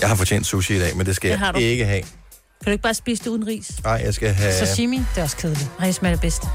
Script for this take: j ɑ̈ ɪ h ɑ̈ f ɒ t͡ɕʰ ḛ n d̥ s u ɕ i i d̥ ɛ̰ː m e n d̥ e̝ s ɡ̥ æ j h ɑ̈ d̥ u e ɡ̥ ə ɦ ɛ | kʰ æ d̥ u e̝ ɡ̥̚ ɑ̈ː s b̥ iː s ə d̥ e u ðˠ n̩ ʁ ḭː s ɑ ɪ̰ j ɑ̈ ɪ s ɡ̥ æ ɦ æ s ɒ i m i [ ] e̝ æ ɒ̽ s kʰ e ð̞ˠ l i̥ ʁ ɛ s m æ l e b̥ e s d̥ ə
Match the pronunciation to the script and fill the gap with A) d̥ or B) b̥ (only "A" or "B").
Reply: A